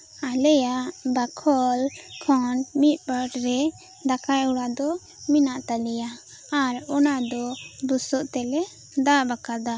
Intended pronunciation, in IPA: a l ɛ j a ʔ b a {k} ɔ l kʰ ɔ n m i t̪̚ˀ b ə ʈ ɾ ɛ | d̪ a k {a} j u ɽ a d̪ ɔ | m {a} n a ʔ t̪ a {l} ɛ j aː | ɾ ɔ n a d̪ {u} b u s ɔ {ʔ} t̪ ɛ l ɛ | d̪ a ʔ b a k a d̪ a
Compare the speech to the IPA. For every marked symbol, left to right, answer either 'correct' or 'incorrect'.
incorrect, correct, incorrect, correct, incorrect, correct

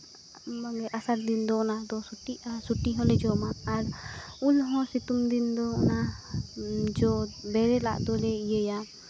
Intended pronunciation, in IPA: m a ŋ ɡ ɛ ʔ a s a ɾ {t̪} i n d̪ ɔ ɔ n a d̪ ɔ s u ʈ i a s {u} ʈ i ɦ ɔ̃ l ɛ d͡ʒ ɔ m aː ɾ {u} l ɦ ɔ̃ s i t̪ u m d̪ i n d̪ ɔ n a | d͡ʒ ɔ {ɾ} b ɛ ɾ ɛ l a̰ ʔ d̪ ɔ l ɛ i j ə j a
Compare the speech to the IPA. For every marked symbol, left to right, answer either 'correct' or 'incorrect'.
incorrect, correct, correct, incorrect

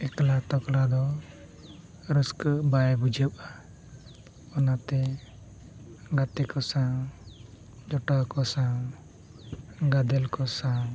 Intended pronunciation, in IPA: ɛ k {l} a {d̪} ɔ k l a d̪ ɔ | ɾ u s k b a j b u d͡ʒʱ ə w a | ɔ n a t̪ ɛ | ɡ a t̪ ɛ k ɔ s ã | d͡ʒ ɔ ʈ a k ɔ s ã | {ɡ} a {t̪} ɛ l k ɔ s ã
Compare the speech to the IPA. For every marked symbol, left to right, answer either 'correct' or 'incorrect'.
correct, incorrect, correct, incorrect

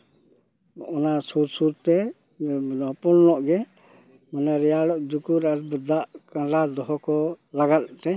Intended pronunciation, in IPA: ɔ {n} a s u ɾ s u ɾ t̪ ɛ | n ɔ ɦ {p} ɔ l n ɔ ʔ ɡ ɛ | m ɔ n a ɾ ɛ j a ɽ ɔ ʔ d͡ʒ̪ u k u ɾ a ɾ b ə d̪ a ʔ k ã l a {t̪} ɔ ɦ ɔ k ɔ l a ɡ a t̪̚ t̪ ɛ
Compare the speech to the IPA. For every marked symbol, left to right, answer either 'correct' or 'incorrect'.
correct, correct, incorrect

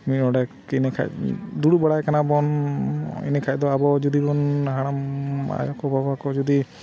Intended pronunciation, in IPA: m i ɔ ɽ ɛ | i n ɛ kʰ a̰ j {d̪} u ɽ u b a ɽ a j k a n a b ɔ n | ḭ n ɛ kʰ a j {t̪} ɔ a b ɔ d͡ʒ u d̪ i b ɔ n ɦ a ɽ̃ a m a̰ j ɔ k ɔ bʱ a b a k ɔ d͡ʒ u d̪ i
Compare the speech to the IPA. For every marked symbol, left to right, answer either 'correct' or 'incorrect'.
correct, incorrect

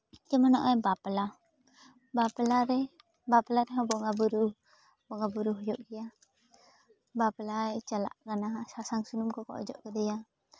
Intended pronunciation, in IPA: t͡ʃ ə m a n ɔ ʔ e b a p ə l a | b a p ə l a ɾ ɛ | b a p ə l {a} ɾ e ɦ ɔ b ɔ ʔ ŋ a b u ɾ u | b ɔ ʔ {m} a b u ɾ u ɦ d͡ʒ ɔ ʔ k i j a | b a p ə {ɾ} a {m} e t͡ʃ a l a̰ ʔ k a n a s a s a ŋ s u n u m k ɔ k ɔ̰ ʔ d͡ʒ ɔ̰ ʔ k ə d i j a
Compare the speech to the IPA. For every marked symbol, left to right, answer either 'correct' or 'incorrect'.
correct, incorrect, incorrect, incorrect

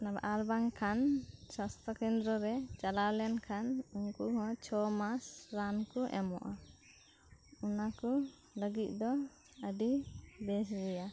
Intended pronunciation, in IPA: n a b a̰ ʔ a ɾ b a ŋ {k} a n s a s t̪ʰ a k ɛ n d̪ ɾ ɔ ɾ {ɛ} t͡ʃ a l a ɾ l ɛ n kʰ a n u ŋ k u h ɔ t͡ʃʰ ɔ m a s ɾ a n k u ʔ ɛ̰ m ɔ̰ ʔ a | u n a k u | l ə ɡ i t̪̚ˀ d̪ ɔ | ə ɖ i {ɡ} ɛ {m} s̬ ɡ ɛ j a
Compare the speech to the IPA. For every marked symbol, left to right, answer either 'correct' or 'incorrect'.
incorrect, correct, incorrect, incorrect

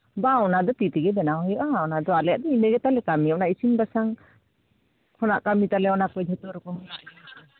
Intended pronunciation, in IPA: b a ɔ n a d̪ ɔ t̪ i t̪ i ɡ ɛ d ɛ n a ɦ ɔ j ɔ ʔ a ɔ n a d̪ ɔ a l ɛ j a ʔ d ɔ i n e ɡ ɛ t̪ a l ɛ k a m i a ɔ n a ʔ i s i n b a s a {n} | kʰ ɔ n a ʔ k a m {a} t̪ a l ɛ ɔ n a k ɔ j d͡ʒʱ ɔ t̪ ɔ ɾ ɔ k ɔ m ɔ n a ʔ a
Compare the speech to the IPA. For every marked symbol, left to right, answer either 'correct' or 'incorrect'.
incorrect, incorrect

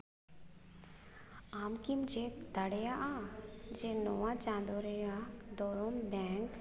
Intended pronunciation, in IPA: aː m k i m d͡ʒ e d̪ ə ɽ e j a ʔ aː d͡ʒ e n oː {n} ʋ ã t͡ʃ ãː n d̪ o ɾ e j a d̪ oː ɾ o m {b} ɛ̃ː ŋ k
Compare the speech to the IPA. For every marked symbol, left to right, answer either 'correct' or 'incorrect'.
incorrect, correct

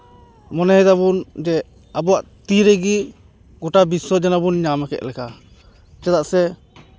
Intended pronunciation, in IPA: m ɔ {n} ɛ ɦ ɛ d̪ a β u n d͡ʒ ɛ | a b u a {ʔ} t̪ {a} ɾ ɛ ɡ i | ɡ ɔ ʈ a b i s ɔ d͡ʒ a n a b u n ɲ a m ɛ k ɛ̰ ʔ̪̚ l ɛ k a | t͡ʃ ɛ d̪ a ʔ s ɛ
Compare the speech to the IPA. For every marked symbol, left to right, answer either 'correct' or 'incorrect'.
correct, correct, incorrect

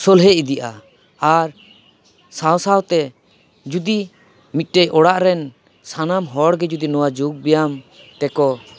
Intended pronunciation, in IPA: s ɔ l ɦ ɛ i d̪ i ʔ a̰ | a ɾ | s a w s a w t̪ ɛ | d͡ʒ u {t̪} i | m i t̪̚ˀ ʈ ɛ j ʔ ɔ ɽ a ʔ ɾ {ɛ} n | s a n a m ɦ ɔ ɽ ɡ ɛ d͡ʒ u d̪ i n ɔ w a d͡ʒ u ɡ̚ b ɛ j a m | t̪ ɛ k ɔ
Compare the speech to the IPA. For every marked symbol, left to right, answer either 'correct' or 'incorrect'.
incorrect, correct

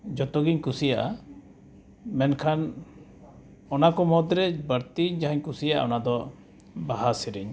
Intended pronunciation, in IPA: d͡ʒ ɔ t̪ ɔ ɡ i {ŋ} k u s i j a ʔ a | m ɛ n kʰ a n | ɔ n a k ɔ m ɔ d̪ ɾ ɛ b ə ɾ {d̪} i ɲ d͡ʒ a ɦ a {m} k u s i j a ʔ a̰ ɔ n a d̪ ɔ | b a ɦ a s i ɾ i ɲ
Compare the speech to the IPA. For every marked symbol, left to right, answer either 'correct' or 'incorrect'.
incorrect, incorrect, incorrect

